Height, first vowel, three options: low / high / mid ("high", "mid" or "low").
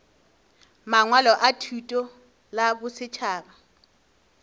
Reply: low